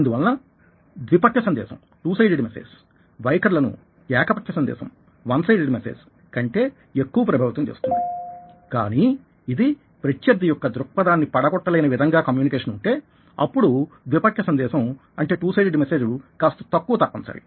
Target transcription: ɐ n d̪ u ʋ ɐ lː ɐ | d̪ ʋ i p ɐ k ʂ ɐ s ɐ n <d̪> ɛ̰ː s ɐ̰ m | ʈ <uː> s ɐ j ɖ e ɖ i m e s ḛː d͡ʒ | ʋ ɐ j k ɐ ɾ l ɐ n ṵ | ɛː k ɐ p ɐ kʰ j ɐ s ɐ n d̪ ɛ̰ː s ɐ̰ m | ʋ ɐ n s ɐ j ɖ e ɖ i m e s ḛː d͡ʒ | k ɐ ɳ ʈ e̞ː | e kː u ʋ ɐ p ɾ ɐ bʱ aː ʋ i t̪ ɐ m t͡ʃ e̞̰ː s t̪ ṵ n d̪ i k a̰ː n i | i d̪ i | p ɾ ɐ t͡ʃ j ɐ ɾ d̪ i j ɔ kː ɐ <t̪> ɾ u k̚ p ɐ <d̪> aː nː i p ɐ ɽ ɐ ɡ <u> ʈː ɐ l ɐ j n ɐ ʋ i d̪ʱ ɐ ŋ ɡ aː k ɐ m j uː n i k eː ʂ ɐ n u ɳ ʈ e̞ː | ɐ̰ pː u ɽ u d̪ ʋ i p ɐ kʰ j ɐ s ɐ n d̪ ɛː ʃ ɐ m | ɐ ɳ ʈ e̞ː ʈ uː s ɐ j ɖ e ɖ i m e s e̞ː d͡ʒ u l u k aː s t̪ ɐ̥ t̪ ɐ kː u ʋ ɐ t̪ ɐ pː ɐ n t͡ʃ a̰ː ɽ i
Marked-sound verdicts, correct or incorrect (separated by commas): correct, correct, incorrect, correct, incorrect